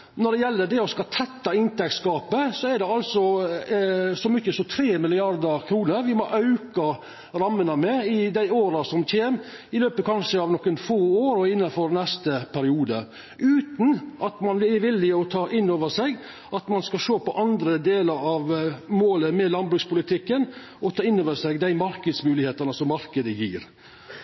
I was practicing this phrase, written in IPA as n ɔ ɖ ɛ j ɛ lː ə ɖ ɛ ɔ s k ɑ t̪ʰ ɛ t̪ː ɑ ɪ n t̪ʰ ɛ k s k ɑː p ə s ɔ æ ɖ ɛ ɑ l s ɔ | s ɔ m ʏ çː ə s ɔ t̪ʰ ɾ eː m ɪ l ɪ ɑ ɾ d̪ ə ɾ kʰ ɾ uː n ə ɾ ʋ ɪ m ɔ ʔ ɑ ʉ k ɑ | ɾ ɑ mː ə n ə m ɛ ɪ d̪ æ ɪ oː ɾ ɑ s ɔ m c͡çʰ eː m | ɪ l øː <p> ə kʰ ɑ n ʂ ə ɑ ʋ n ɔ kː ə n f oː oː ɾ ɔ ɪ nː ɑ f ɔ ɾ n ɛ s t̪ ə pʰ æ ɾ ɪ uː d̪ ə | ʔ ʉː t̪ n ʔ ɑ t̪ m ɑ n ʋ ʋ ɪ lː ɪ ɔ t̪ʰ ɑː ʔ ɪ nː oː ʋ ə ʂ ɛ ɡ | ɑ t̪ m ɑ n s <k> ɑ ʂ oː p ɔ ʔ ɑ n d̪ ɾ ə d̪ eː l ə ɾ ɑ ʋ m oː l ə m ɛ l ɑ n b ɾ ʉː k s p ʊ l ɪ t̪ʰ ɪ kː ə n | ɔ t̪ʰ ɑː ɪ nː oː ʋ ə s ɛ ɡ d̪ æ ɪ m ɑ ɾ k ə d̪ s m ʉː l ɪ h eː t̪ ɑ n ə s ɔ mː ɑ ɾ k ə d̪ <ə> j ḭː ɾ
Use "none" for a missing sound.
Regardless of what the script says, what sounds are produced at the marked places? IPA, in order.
p, k, ə

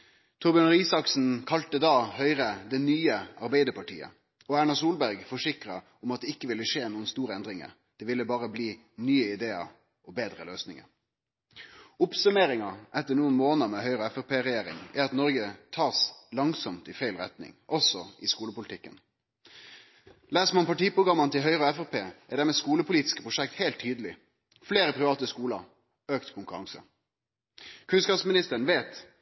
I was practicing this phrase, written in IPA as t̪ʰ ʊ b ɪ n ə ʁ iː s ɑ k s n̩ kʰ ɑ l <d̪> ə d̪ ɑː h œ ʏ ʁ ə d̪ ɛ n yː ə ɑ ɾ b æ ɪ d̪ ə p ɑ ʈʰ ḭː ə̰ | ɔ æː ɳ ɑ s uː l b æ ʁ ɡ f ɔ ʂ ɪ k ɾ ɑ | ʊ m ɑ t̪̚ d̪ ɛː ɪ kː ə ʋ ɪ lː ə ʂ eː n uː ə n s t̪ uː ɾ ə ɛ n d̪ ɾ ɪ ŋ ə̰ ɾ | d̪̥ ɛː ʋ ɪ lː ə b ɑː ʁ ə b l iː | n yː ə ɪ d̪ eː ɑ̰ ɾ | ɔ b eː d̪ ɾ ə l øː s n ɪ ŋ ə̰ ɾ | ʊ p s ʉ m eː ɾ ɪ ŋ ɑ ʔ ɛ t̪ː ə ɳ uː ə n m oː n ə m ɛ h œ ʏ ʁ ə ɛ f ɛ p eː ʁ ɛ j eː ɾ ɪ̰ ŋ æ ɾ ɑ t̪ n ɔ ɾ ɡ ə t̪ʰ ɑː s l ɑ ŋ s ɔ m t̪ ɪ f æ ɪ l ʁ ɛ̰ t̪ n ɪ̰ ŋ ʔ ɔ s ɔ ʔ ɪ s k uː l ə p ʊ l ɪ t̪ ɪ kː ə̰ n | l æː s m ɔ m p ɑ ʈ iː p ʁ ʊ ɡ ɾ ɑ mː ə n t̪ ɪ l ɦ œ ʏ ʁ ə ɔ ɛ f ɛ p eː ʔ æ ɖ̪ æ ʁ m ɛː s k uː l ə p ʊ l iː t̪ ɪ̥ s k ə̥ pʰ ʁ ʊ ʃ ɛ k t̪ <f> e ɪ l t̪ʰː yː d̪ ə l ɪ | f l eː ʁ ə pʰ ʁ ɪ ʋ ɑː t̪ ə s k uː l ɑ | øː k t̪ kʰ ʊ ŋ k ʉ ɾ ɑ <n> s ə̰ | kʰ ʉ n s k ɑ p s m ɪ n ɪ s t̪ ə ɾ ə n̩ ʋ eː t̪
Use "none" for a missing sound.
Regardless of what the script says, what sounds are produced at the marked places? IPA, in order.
t̪, h, ŋ

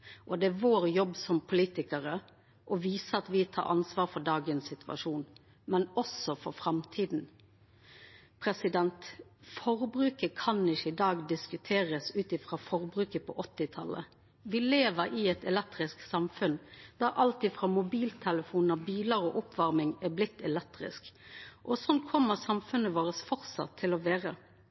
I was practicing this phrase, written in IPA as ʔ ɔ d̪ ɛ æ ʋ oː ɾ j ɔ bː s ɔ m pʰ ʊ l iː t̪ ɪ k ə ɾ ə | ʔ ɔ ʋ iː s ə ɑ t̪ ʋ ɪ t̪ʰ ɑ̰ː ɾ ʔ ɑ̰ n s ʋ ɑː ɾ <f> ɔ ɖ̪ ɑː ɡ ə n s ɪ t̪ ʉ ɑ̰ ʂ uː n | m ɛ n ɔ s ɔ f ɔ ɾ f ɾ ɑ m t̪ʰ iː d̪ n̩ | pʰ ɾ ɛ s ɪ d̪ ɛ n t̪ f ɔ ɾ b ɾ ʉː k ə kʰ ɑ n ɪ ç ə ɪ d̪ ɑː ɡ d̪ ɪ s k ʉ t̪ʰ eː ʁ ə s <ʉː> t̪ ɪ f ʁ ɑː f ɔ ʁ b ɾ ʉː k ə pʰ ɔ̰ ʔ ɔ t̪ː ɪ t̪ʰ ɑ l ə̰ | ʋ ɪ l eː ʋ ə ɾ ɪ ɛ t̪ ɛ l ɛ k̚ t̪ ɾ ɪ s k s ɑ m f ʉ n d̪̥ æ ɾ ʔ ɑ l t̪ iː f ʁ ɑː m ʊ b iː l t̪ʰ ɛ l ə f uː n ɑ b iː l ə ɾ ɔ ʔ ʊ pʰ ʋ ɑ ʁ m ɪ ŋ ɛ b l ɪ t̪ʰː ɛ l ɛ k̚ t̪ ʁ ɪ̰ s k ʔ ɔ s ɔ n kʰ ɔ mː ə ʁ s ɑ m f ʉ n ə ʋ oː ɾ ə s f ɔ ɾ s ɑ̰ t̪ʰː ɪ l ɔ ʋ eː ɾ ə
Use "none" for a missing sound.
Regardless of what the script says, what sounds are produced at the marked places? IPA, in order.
f, ʉː

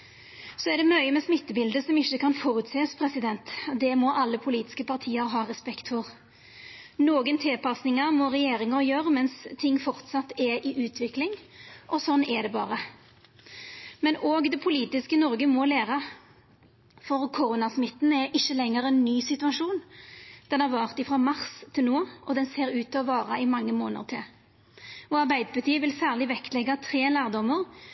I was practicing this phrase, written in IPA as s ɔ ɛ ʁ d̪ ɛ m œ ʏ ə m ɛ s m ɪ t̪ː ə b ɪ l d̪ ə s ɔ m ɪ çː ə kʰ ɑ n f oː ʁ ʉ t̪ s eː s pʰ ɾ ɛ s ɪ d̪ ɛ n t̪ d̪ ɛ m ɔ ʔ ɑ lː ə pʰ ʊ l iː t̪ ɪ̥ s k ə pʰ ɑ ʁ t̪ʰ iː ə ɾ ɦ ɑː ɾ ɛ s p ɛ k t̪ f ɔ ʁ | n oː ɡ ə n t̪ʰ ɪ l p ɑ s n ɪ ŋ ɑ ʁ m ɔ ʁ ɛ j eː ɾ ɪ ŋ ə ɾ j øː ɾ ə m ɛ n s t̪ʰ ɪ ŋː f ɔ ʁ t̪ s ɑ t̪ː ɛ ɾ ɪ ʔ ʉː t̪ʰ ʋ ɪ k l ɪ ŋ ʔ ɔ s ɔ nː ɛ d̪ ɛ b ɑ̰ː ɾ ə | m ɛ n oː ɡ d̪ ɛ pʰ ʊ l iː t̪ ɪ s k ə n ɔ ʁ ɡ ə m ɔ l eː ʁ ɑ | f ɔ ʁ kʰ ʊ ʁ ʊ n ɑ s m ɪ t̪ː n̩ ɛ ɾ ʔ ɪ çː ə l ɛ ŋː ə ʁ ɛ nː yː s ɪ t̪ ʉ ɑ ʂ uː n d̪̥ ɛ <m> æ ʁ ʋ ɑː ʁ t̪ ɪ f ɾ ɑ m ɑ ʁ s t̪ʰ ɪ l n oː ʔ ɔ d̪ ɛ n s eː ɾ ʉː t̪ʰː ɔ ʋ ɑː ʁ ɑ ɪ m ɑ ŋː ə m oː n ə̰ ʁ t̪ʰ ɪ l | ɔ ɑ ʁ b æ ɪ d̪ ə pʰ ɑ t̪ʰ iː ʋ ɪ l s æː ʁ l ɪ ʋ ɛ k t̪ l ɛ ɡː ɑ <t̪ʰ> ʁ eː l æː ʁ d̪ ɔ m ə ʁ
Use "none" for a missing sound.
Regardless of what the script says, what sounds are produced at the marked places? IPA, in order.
n, t̪ʰ

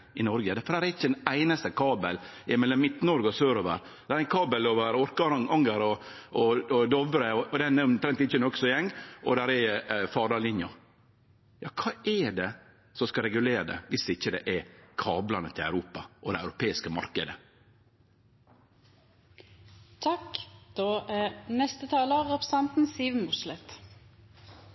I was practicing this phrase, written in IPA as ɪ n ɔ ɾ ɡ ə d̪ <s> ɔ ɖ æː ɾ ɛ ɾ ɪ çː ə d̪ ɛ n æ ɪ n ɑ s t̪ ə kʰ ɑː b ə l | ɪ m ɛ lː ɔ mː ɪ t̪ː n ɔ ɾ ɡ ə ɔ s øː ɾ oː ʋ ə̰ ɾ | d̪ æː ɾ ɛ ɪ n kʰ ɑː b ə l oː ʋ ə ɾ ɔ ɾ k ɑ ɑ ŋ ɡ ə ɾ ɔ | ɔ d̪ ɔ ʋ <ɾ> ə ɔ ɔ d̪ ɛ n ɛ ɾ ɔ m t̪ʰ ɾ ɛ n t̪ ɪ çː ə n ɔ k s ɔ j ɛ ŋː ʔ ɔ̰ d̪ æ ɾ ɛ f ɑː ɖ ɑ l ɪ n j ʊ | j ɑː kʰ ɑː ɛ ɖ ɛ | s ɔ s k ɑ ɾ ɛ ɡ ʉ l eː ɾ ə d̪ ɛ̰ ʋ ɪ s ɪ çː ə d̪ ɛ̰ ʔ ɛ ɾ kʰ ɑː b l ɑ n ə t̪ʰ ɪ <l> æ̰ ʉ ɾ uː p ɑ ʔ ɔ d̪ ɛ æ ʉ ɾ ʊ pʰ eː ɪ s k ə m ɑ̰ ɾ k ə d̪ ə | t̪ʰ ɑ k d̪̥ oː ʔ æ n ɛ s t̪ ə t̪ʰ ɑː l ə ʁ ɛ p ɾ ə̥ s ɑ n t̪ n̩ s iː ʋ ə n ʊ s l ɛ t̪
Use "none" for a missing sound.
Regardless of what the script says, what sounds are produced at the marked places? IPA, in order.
f, ɾ, l

